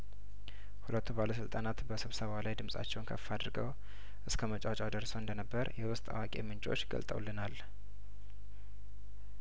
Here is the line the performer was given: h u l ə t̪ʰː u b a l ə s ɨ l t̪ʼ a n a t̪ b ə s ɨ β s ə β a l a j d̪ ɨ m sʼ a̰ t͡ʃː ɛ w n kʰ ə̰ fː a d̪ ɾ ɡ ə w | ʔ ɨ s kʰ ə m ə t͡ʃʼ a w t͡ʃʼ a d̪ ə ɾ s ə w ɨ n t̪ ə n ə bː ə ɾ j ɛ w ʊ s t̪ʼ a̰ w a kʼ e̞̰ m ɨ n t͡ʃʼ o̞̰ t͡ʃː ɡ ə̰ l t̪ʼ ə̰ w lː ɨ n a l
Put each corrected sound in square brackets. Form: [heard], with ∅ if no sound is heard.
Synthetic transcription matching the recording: h u l ə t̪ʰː u b a l ə s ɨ l t̪ʼ a n a t̪ b ə s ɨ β s ə β a l a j d̪ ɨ m sʼ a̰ t͡ʃː ɛ w n kʰ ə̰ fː a d̪ ɾ ɡ ə w | ʔ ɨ s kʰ ə m ə t͡ʃʼ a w t͡ʃʼ a d̪ ə ɾ s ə w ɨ n [d̪] ə n ə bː ə ɾ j ɛ w ʊ s t̪ʼ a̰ w a kʼ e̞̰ m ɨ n t͡ʃʼ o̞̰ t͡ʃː ɡ ə̰ l t̪ʼ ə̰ w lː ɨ n a l